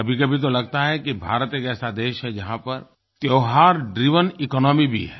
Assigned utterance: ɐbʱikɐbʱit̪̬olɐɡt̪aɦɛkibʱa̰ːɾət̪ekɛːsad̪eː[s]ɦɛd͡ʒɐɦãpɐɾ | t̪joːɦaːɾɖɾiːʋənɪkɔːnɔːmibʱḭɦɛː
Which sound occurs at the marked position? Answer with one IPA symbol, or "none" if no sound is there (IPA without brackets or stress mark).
ʃ